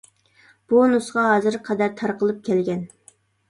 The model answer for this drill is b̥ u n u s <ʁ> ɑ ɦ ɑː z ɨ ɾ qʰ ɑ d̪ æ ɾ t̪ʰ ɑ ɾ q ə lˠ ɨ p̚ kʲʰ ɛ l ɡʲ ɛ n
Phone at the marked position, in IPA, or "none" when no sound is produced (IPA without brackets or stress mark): ʁ